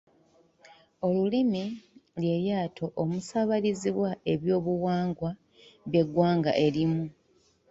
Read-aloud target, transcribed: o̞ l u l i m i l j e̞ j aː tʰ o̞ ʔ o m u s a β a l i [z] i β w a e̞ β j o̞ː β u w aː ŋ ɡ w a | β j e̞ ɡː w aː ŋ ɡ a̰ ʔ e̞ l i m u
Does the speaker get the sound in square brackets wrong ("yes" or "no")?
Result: no